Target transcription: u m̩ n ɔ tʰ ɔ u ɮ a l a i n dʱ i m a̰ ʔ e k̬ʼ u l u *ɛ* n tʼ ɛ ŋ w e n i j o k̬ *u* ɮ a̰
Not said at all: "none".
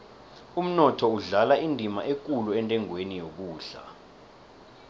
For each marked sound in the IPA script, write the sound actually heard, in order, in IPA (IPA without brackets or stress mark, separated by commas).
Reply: ɛ, uː